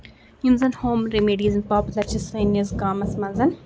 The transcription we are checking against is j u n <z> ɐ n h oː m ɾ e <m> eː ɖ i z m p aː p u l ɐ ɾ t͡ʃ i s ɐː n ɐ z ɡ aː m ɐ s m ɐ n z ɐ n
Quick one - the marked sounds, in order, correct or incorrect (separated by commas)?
correct, correct